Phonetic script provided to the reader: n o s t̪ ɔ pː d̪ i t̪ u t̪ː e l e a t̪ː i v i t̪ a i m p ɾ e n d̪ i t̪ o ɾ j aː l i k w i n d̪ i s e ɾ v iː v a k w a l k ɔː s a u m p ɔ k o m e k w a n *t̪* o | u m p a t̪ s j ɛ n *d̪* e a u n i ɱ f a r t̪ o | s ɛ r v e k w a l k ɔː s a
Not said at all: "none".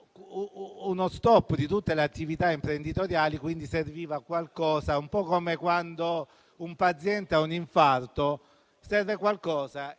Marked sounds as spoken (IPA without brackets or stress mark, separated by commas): d̪, t̪